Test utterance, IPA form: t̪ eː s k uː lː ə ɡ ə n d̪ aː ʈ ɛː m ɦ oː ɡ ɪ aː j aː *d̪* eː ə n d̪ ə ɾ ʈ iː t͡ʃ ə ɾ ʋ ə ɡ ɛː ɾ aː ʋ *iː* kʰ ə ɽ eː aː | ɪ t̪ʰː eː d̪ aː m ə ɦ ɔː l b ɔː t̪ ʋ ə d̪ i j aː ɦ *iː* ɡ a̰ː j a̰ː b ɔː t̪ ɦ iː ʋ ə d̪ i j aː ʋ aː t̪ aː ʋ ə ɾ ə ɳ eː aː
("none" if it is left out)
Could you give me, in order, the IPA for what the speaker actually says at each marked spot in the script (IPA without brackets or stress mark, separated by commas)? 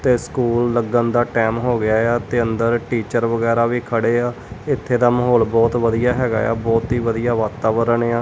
t̪, iː, ɛː